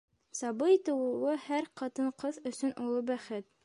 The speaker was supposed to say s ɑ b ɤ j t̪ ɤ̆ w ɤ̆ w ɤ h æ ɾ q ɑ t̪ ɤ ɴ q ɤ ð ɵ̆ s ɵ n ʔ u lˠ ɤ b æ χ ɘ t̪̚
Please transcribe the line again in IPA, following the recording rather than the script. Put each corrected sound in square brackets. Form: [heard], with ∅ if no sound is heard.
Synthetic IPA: s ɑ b ɤ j t̪ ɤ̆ w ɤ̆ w ɤ h æ ɾ q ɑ t̪ ɤ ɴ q ɤ ð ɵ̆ s ɵ n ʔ u lˠ ɤ b æ χ ɘ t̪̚